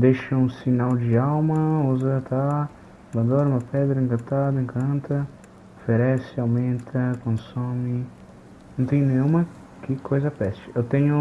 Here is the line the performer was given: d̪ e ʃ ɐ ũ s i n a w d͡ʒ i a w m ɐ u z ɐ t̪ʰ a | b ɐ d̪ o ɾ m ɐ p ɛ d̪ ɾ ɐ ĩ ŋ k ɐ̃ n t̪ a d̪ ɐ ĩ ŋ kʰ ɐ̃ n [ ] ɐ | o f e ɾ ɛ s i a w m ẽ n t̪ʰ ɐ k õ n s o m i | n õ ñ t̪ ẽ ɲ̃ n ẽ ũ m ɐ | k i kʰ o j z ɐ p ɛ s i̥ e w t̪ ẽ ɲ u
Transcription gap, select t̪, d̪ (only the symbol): t̪